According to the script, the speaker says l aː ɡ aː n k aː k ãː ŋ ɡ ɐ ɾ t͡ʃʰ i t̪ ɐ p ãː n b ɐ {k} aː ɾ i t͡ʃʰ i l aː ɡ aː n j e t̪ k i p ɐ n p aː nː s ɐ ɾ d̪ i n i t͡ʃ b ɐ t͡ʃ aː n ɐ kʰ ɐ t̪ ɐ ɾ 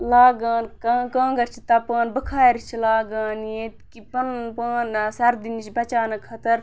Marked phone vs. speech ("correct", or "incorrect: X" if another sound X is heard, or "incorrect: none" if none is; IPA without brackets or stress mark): incorrect: kʰ